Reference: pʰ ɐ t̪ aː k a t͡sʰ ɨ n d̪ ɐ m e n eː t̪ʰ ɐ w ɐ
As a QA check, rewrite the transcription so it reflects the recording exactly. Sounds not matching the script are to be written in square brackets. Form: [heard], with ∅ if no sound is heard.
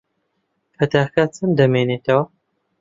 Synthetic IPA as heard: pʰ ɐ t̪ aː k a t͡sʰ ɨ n d̪ ɐ m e n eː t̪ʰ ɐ w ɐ